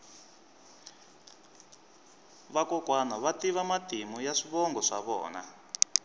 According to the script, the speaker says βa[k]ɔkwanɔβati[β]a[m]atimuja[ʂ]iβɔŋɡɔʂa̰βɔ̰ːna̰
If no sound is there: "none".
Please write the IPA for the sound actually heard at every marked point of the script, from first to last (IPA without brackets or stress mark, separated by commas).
k, β, m, ʂ